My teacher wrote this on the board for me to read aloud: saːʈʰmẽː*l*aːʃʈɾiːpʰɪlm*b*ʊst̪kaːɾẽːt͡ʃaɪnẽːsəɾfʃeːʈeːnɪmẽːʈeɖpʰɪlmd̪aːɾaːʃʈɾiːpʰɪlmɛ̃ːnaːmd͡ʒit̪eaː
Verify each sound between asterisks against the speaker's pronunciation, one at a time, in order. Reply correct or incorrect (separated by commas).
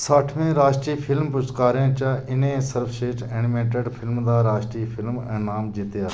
incorrect, incorrect